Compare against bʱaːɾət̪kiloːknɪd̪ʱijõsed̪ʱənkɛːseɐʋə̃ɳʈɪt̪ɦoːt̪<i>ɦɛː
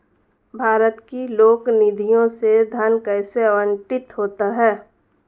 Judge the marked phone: incorrect: a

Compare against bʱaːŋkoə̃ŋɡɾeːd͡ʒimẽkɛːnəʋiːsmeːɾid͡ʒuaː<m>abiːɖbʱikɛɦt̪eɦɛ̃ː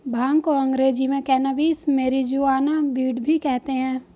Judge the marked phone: incorrect: n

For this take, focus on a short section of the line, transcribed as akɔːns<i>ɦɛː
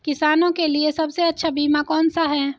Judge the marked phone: incorrect: a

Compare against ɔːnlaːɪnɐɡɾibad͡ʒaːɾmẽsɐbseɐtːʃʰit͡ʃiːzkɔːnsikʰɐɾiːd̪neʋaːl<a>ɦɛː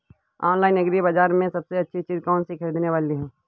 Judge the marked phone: incorrect: i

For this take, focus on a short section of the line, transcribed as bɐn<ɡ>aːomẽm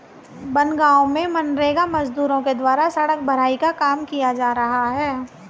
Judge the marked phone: correct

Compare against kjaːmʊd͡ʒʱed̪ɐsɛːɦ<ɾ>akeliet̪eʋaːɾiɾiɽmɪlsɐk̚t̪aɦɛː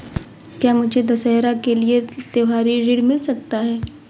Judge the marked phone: correct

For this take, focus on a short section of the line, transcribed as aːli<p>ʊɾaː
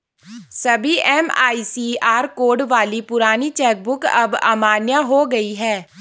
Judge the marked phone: correct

